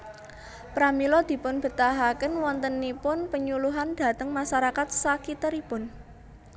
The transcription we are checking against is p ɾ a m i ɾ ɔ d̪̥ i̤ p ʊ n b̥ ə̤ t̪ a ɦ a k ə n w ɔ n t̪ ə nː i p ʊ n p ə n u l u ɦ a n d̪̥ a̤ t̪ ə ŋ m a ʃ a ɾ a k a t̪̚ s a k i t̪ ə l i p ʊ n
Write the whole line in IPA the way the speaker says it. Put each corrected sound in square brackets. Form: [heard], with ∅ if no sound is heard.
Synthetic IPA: p ɾ a m i [l] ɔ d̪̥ i̤ p ʊ n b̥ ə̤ t̪ a ɦ a k ə n w ɔ n t̪ ə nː i p ʊ n p ə [ɲ] u l u ɦ a n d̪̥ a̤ t̪ ə ŋ m a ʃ a ɾ a k a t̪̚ s a k i t̪ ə [ɾ] i p ʊ n